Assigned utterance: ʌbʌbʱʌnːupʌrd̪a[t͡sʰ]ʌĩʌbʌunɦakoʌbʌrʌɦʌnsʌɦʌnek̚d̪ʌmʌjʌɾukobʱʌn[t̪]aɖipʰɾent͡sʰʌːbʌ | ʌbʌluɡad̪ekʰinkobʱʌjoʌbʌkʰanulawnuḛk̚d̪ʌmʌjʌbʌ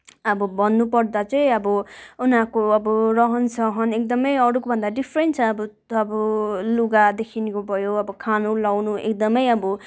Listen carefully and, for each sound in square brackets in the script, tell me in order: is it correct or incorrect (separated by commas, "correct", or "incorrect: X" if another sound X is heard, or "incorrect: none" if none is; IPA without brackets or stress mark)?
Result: incorrect: t͡s, incorrect: d̪